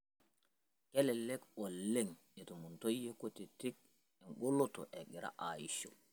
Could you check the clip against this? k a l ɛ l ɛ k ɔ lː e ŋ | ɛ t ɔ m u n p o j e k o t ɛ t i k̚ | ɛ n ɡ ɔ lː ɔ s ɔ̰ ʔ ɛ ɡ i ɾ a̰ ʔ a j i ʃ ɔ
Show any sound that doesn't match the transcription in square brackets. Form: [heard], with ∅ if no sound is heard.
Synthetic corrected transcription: k [ɛ] l ɛ l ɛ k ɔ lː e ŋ | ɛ t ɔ m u n [t] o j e k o t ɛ t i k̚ | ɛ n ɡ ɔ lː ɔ [t] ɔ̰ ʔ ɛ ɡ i ɾ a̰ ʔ a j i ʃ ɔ